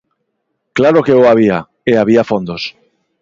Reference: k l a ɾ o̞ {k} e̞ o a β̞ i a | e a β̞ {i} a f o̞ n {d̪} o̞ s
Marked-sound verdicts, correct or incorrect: correct, correct, correct

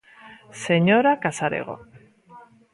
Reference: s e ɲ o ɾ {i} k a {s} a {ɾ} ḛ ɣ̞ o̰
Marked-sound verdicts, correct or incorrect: incorrect: a, correct, correct

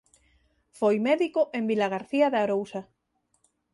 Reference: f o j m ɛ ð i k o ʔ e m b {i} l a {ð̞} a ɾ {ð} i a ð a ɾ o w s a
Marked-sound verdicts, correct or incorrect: correct, incorrect: ɣ̞, incorrect: θ

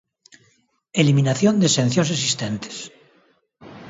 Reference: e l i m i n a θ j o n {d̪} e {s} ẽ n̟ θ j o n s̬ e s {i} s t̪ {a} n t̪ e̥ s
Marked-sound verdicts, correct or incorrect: correct, correct, correct, incorrect: e

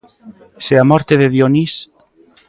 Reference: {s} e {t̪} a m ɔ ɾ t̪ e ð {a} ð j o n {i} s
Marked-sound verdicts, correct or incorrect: correct, incorrect: none, incorrect: e, correct

